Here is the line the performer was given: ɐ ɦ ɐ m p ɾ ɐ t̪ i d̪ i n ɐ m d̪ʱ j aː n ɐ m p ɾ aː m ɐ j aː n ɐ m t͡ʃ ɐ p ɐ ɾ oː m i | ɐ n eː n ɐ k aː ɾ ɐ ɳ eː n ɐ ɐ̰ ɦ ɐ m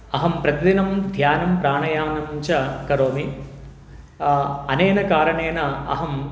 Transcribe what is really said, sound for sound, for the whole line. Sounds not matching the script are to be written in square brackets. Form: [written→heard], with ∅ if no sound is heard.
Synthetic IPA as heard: ɐ ɦ ɐ m p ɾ ɐ t̪ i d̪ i n ɐ m d̪ʱ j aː n ɐ m p ɾ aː [m→ɳ] ɐ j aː n ɐ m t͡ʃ ɐ [p→k] ɐ ɾ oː m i | ɐ n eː n ɐ k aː ɾ ɐ ɳ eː n ɐ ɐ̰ ɦ ɐ m